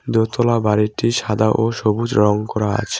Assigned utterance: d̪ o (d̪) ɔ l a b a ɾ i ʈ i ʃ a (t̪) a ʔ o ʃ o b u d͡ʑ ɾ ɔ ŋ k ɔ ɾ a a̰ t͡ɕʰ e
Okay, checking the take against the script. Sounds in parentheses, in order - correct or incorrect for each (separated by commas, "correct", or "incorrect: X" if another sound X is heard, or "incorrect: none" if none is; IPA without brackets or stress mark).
incorrect: t̪, incorrect: d̪